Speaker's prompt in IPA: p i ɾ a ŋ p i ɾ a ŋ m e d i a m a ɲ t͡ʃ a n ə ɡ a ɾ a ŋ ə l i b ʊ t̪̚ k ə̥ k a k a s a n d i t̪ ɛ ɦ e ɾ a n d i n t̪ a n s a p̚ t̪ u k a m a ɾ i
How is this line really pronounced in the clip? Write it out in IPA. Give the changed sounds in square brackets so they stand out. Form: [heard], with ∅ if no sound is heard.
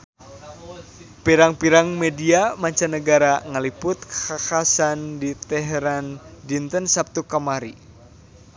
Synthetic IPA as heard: p i ɾ a ŋ p i ɾ a ŋ m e d i a m a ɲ t͡ʃ a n ə ɡ a ɾ a ŋ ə l i [p] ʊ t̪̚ k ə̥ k a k a s a n d i t̪ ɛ ɦ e ɾ a n d i n t̪ [ə] n s a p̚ t̪ u k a m a ɾ i